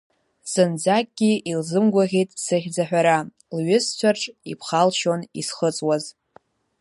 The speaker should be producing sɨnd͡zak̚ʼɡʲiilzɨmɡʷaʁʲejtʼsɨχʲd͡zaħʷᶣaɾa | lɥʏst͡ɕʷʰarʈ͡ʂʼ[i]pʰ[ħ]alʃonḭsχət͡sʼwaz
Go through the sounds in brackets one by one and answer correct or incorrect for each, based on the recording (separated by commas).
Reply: correct, incorrect